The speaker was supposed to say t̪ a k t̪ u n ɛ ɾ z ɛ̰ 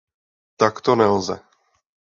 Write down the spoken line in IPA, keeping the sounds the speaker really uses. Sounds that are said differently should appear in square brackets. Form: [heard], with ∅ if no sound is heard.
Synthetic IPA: t̪ a k t̪ [o] n ɛ [l] z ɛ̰